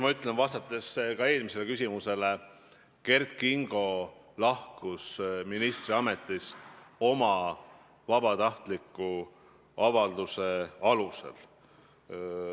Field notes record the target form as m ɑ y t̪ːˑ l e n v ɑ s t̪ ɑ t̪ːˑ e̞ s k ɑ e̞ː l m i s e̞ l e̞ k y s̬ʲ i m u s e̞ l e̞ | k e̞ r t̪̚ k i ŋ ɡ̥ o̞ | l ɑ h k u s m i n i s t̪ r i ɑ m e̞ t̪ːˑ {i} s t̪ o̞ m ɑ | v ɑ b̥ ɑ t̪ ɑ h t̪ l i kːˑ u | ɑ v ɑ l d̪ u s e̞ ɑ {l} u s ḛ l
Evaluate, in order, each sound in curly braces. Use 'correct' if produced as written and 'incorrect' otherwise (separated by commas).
correct, correct